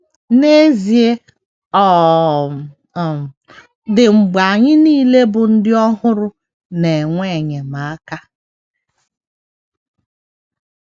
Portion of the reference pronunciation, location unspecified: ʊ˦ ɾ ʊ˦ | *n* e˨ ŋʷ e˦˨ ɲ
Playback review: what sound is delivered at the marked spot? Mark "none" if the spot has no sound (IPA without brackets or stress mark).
n